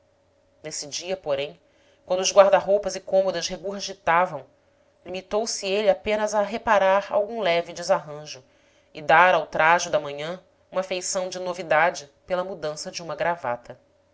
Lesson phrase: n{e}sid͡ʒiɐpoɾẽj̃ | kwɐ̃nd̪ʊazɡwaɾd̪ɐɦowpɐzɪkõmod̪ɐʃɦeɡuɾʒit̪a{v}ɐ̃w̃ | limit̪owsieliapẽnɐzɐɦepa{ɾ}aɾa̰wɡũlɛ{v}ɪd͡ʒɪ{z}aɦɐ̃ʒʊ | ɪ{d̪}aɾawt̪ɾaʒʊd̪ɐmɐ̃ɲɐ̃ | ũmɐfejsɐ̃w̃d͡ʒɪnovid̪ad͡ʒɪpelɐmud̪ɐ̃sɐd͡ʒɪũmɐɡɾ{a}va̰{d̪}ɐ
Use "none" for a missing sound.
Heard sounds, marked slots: e, v, ɾ, v, z, d̪, a, t̪

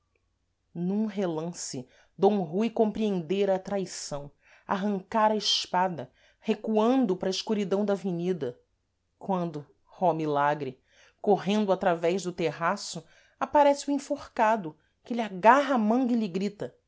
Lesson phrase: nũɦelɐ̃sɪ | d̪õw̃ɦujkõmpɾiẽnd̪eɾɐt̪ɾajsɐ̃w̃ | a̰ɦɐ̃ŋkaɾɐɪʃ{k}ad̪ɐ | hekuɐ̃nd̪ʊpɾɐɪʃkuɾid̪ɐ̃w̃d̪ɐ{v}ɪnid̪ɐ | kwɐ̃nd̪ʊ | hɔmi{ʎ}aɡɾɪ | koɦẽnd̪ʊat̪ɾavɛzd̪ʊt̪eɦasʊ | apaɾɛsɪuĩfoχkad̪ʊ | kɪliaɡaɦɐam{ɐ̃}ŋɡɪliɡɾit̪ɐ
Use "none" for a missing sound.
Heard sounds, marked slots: p, v, l, ɐ̃

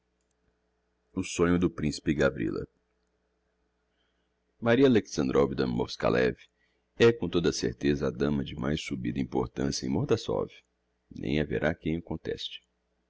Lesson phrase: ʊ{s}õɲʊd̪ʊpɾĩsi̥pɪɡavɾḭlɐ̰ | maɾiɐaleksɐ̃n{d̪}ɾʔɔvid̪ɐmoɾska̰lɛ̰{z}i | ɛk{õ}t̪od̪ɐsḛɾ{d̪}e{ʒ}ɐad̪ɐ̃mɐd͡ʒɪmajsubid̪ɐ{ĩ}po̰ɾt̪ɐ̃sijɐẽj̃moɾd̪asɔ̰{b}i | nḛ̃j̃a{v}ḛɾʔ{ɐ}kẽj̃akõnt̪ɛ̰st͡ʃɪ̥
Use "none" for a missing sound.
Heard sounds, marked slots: s, d̪, v, õ, t̪, z, ĩ, v, v, a

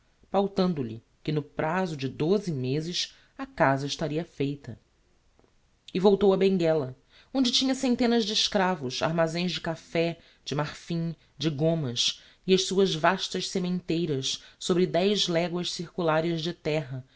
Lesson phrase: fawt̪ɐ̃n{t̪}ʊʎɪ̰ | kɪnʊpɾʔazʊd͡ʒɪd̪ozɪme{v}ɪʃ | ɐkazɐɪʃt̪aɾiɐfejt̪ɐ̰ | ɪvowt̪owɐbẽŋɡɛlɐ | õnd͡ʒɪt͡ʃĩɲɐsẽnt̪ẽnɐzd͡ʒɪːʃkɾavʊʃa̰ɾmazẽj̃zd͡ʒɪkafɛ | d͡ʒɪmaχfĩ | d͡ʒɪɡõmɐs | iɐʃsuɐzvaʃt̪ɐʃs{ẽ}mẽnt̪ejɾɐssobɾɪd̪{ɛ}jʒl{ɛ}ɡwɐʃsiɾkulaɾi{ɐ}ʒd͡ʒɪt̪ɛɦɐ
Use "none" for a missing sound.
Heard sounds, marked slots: d̪, z, e, ɛ, ɛ, ɐ

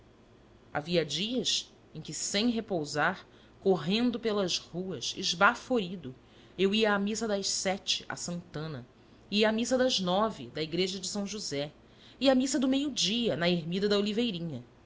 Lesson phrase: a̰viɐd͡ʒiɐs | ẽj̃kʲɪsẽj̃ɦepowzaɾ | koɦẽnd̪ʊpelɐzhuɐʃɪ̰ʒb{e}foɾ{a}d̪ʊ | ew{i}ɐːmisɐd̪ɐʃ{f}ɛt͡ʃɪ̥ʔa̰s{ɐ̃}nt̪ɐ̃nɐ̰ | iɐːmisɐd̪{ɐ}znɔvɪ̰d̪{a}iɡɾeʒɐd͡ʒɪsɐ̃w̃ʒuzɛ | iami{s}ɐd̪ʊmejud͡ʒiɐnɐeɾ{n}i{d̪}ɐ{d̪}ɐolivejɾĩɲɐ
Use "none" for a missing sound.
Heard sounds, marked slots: a, i, i, s, ɐ̃, ɐ, ɐ, s, m, d̪, d̪

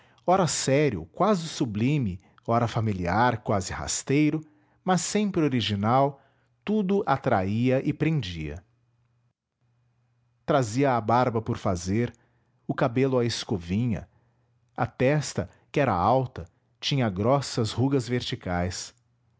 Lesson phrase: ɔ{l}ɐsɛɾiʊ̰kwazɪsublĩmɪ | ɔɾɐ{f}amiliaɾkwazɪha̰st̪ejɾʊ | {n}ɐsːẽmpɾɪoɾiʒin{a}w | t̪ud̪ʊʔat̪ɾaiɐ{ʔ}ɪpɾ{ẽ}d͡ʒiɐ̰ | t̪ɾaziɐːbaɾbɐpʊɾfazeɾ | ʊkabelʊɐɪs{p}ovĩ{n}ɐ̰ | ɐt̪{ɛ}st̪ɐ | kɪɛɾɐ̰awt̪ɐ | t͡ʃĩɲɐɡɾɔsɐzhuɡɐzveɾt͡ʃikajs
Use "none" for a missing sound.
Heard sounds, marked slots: ɾ, f, m, a, ʔ, ẽ, k, ɲ, ɛ

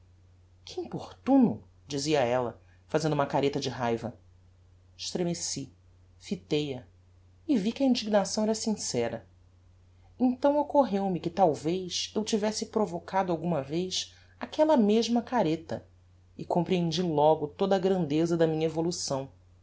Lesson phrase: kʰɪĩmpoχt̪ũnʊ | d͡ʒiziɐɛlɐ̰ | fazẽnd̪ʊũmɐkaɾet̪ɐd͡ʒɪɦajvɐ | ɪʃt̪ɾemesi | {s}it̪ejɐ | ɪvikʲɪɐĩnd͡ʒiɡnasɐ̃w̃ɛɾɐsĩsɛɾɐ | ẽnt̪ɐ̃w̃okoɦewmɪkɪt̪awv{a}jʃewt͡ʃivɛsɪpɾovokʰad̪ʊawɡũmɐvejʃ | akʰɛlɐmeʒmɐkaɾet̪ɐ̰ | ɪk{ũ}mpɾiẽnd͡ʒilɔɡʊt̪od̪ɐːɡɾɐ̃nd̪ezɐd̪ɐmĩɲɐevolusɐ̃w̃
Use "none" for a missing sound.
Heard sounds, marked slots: f, e, õ

